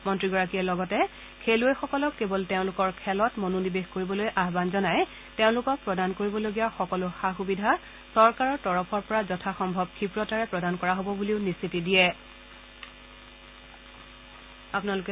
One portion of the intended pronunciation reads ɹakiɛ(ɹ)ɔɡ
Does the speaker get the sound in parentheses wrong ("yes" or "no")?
yes